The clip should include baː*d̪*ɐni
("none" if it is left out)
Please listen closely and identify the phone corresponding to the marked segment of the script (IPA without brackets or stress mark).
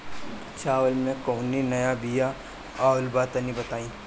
t̪